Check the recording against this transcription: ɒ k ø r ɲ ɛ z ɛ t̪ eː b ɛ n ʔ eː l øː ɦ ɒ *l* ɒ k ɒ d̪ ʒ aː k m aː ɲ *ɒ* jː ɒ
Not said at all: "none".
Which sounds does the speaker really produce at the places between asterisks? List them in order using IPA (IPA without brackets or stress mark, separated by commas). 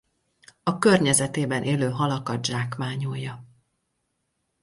l, o